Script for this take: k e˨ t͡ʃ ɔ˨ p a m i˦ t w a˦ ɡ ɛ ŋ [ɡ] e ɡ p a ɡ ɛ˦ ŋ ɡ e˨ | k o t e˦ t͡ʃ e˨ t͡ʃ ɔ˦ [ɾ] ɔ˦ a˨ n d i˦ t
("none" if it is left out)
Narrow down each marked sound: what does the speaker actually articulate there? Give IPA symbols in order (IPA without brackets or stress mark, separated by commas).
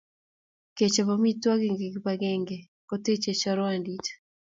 ɡ, ɾ